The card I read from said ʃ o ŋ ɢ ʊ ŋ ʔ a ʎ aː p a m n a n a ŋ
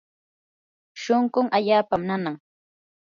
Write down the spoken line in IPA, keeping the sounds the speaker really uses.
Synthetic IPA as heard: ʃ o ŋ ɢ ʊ ŋ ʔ a ʎ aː p a m n a n a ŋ